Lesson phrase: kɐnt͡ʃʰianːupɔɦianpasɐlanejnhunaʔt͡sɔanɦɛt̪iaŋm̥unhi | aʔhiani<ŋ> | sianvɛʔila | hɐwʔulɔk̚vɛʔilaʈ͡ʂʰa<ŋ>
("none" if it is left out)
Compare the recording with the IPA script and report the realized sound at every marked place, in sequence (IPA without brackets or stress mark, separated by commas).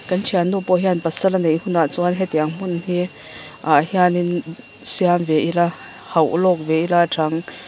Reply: n, ŋ